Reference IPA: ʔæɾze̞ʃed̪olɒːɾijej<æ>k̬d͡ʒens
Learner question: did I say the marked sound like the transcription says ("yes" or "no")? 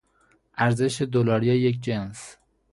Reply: no